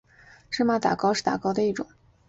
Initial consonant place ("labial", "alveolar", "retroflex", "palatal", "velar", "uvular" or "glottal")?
retroflex